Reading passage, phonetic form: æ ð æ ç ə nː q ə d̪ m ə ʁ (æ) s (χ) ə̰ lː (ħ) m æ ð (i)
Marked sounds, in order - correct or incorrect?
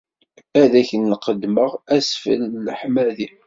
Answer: correct, incorrect: f, correct, correct

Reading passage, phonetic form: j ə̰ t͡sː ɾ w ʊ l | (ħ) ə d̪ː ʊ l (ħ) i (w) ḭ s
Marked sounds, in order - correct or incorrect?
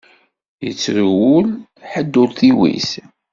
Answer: correct, incorrect: θ, correct

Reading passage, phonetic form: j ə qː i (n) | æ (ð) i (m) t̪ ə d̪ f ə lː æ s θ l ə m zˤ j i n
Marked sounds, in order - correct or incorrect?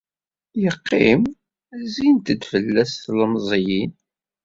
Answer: incorrect: m, incorrect: z, incorrect: n

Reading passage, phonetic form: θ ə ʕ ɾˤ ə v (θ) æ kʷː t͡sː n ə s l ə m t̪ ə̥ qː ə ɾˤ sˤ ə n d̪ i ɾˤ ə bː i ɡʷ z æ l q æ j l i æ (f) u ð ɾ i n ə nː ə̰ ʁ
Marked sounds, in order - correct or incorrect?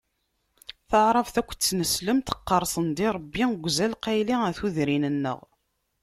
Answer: correct, incorrect: θ

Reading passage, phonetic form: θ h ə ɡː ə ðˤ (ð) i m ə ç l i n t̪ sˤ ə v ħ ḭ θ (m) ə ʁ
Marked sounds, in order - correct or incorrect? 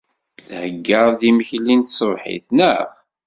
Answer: correct, incorrect: n

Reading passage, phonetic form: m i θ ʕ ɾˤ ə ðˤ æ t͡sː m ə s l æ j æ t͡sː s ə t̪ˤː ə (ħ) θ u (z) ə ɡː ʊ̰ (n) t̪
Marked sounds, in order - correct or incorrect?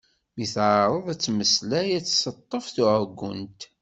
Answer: incorrect: f, incorrect: ʕ, correct

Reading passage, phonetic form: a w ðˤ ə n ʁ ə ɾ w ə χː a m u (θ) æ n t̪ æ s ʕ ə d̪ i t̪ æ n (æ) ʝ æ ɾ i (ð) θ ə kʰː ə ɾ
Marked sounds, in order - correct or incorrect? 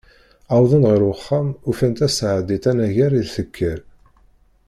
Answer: incorrect: f, correct, correct

